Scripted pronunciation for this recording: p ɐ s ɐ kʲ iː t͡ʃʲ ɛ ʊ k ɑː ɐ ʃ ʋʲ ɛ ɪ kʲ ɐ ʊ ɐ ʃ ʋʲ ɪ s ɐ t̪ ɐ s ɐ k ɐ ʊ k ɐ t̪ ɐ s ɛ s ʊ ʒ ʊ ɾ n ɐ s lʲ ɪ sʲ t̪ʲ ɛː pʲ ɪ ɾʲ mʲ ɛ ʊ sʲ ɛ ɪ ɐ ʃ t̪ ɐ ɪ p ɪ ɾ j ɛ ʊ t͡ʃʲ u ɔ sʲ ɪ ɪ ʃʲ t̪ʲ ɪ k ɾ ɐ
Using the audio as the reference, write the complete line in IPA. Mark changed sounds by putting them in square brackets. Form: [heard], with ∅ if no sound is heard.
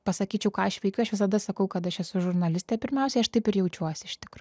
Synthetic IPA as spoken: p ɐ s ɐ kʲ iː t͡ʃʲ ɛ ʊ k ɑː ɐ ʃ ʋʲ ɛ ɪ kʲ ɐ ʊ ɐ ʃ ʋʲ ɪ s ɐ [d̪] ɐ s ɐ k ɐ ʊ k ɐ t̪ ɐ [ʃ] ɛ s ʊ ʒ ʊ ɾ n ɐ [∅] lʲ ɪ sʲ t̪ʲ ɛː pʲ ɪ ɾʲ mʲ ɛ ʊ sʲ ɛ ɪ ɐ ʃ t̪ ɐ ɪ p ɪ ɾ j ɛ ʊ t͡ʃʲ u ɔ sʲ ɪ ɪ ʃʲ t̪ʲ ɪ k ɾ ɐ